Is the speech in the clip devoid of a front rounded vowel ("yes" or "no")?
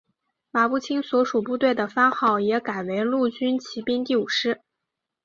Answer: no